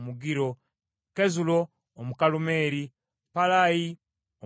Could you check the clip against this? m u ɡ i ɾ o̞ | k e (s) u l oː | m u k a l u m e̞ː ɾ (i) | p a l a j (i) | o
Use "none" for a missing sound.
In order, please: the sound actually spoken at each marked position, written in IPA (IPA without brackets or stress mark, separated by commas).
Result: z, i, i